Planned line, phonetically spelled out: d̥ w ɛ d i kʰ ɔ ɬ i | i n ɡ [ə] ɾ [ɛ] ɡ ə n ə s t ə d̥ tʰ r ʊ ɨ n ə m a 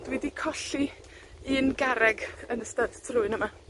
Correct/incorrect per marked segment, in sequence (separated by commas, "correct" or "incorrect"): incorrect, correct